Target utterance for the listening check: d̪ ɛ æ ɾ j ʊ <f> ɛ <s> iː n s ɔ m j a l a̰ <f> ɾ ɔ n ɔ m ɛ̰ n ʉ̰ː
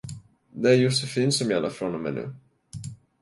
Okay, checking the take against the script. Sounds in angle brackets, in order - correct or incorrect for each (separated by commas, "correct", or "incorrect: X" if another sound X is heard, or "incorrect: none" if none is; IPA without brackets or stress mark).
incorrect: s, incorrect: f, correct